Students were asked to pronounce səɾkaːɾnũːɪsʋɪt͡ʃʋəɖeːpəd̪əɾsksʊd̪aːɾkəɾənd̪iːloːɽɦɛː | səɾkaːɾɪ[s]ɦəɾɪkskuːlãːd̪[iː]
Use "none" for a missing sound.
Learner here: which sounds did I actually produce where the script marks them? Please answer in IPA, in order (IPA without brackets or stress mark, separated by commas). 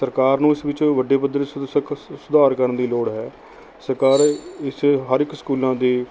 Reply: s, iː